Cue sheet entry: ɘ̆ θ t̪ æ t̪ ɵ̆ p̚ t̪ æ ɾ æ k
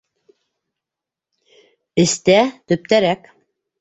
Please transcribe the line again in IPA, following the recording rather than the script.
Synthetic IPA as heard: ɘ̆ s t̪ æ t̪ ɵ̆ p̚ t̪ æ ɾ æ k